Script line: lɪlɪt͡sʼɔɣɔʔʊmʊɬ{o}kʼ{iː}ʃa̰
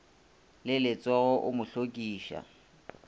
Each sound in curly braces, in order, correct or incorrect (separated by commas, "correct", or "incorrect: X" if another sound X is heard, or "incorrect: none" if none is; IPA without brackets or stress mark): correct, correct